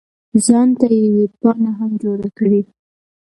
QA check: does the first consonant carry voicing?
yes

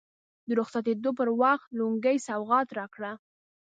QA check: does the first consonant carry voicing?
yes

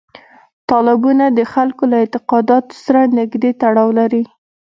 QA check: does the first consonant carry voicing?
no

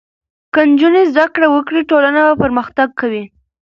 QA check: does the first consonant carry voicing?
no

